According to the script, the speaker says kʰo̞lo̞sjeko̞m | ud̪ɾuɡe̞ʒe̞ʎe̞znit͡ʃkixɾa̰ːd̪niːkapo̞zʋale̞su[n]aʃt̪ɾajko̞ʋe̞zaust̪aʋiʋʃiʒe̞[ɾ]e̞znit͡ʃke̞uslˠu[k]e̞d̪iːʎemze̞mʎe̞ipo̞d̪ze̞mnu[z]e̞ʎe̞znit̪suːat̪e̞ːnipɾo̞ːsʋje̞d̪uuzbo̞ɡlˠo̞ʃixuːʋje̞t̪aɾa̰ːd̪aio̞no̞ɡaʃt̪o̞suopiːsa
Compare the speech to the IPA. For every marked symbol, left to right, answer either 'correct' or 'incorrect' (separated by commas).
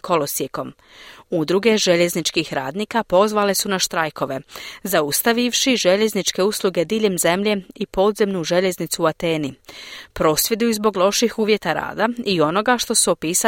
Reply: correct, incorrect, incorrect, incorrect